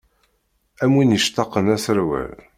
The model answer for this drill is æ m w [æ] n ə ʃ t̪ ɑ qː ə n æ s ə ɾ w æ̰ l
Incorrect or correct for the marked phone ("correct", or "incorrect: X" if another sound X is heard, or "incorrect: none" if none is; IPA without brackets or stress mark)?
incorrect: i